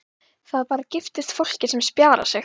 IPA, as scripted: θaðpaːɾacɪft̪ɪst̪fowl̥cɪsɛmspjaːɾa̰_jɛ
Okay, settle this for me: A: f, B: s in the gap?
B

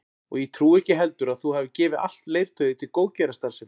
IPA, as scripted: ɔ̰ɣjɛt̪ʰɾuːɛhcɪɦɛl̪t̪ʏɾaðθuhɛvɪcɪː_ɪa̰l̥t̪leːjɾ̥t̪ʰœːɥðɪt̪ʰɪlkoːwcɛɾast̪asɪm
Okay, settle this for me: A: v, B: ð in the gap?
A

